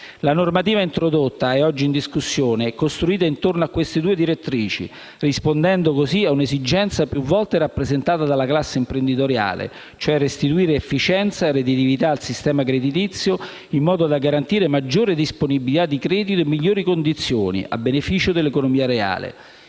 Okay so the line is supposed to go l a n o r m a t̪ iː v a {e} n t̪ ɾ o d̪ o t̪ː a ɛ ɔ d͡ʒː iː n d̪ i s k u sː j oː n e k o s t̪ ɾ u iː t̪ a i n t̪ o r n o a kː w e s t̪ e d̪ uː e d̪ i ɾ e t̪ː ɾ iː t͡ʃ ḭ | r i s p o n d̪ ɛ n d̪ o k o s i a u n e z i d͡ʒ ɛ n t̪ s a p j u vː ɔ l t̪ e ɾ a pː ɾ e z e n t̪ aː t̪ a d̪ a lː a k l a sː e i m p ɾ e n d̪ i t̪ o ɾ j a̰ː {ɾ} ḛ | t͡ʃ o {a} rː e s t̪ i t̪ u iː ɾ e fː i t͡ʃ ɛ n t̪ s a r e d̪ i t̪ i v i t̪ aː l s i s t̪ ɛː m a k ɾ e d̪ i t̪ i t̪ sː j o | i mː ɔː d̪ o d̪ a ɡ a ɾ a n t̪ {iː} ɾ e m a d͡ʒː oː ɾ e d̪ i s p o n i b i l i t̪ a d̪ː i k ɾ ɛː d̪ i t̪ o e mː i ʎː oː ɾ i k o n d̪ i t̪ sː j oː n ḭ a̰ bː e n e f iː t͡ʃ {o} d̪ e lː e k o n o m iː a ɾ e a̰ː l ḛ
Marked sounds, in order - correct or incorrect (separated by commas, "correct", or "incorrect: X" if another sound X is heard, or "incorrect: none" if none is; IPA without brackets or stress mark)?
incorrect: i, incorrect: l, incorrect: ɛ, correct, correct